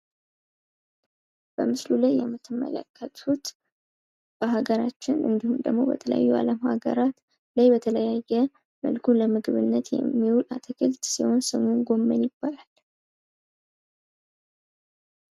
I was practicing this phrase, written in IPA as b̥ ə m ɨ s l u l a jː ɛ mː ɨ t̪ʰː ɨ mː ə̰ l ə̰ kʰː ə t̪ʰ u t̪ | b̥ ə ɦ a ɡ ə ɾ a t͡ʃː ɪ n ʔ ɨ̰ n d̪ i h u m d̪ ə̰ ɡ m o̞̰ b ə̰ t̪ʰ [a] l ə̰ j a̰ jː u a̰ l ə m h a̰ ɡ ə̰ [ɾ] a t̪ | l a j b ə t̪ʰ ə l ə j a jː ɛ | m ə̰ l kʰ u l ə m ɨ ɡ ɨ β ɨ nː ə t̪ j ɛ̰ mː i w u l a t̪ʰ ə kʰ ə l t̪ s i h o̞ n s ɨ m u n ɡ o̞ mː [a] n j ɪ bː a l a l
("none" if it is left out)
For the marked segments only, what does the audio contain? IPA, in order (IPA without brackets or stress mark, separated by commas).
ə, ɾ, ə